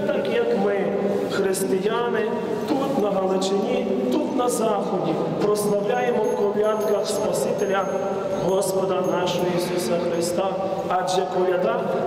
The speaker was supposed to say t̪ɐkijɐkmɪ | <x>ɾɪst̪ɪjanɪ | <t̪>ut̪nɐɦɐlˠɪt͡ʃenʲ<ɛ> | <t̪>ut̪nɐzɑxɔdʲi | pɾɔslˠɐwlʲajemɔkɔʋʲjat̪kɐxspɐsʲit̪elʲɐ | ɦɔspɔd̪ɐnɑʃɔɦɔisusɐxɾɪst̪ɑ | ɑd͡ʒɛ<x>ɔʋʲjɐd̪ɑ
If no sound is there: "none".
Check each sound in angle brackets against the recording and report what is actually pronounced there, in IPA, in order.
x, t̪, i, t̪, k

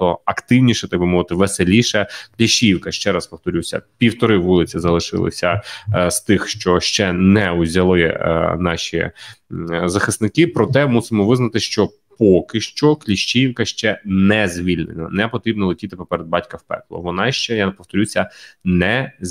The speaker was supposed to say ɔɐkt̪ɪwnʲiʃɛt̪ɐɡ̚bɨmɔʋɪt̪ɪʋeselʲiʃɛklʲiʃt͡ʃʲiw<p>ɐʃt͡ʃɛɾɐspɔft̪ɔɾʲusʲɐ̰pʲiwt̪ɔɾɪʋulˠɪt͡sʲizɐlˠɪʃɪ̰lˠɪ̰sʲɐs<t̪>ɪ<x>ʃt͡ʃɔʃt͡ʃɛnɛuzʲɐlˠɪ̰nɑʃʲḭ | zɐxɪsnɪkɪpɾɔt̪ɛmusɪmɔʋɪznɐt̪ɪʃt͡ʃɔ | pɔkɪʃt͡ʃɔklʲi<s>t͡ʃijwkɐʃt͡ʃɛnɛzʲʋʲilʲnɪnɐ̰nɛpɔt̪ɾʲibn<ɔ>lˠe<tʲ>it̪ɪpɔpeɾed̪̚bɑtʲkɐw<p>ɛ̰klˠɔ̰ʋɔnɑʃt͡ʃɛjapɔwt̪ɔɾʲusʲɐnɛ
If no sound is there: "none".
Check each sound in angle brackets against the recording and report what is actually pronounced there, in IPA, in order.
k, t̪, x, ʃ, ɔ, tʲ, p

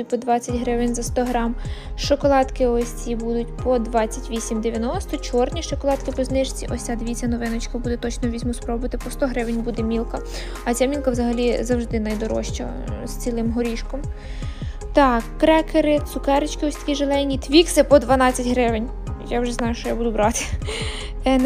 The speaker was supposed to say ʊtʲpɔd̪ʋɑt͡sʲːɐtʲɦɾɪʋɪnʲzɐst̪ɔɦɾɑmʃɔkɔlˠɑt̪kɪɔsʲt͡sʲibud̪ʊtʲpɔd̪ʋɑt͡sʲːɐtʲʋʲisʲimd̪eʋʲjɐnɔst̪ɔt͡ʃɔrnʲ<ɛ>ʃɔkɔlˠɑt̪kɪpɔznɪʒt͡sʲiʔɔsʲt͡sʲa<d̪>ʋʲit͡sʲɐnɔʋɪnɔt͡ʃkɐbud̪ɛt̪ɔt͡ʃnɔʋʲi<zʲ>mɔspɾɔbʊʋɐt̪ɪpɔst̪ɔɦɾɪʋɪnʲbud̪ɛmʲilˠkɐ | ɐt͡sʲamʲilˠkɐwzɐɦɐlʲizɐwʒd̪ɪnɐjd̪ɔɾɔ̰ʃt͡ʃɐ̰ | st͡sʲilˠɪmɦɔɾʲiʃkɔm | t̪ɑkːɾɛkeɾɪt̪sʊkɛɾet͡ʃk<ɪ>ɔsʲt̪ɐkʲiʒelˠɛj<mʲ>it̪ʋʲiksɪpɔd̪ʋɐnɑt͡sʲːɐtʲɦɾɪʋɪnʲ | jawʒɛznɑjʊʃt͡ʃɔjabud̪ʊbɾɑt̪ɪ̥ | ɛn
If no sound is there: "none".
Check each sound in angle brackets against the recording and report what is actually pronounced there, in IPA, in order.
i, d̪, zʲ, ɪ, nʲ

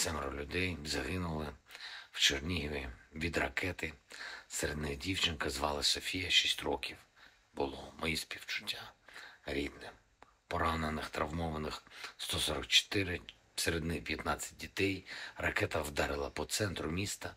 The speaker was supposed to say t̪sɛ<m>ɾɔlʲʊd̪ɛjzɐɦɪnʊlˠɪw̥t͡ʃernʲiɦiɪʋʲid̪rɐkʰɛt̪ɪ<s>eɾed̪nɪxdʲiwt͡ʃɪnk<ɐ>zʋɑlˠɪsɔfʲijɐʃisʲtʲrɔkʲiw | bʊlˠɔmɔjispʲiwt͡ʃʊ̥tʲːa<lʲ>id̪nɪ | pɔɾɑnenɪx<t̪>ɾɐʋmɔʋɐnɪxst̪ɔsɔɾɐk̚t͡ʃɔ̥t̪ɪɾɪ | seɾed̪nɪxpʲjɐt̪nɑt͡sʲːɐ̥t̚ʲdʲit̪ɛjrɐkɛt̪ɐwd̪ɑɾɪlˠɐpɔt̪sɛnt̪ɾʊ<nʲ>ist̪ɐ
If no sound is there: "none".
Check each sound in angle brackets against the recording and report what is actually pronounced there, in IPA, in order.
m, s, ɐ, ɾʲ, t̪, mʲ

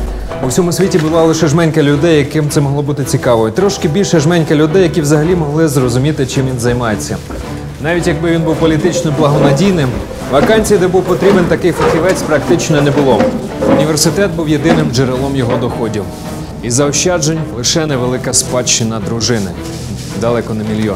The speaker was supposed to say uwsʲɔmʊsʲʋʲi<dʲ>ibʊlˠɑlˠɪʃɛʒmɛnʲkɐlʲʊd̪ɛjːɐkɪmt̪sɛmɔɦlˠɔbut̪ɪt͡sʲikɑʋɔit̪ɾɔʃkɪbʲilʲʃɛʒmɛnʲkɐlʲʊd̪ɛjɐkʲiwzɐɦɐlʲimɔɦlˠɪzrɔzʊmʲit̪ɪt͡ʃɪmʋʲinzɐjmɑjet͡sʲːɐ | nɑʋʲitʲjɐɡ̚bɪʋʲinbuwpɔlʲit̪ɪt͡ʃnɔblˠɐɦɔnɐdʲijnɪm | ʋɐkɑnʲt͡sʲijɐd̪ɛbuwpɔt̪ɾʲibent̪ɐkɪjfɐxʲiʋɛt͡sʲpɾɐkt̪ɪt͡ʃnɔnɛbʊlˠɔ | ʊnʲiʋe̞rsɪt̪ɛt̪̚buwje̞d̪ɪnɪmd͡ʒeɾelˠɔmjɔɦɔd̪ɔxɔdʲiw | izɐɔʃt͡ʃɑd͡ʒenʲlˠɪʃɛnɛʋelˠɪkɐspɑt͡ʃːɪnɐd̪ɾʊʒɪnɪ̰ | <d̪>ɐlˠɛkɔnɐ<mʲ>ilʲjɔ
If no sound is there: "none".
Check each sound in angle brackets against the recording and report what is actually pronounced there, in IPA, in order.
tʲ, d̪, mʲ

